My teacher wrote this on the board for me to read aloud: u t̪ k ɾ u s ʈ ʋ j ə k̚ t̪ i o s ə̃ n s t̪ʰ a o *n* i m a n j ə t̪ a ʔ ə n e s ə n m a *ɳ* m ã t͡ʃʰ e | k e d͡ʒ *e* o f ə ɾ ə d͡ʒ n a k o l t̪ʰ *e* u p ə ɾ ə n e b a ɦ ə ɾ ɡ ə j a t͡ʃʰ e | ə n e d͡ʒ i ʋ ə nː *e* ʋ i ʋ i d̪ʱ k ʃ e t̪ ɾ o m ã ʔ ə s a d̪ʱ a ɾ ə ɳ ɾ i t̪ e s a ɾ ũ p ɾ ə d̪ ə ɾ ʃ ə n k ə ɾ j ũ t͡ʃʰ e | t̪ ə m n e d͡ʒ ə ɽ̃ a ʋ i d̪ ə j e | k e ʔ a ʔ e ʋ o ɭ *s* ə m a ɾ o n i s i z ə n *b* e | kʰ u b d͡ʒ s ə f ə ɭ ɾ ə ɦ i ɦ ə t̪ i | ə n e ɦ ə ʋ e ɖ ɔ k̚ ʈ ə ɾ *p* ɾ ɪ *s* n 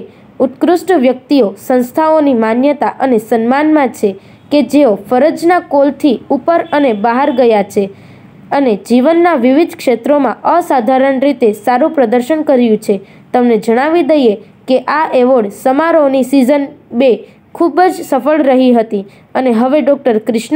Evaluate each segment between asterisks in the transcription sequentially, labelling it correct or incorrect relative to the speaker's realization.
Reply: correct, incorrect, correct, incorrect, incorrect, correct, correct, incorrect, incorrect

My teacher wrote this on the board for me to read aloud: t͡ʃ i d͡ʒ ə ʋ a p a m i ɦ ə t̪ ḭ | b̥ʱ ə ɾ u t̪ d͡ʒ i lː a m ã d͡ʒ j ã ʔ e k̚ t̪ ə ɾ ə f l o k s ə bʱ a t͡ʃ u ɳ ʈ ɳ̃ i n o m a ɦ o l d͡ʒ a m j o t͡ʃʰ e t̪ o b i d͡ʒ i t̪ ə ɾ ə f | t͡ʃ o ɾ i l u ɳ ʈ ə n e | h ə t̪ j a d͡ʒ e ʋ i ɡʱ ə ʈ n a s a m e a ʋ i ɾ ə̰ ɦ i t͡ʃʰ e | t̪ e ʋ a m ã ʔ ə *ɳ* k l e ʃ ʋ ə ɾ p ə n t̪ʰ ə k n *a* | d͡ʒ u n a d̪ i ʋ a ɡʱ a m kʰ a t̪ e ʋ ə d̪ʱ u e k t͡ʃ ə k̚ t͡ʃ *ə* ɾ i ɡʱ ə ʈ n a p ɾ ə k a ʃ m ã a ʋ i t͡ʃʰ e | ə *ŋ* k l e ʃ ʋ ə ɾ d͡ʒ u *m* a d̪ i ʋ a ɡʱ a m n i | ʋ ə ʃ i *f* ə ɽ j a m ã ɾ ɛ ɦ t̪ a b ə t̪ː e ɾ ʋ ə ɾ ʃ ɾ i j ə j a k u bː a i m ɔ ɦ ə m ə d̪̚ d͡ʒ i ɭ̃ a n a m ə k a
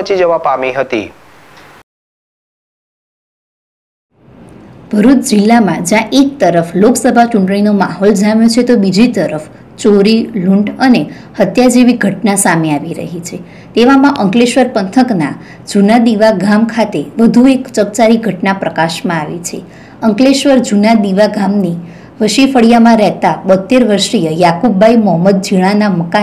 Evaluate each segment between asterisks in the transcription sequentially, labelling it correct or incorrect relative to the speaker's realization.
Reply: incorrect, correct, incorrect, correct, incorrect, correct

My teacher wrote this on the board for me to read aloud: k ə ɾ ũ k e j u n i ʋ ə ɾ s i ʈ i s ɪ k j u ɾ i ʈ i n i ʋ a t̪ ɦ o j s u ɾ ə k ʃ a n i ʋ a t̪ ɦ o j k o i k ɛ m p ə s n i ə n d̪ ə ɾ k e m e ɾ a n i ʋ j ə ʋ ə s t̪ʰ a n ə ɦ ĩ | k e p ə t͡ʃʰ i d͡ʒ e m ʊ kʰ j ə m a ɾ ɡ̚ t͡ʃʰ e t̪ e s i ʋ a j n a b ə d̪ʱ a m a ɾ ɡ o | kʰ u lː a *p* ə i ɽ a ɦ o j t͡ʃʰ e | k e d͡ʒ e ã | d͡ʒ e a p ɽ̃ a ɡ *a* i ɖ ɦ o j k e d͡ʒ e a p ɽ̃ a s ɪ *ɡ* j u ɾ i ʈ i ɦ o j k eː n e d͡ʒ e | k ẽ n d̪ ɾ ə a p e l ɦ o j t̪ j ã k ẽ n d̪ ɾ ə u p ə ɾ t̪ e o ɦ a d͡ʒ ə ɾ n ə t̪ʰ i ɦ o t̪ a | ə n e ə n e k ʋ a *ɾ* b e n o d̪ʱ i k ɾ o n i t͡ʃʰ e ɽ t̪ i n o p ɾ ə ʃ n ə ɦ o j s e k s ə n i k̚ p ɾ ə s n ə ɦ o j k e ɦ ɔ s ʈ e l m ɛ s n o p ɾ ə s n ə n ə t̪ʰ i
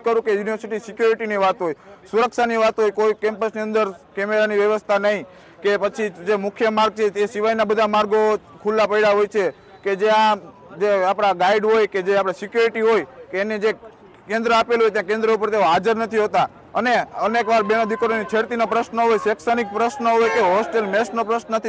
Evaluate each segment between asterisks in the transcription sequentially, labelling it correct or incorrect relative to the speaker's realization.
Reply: correct, correct, incorrect, correct

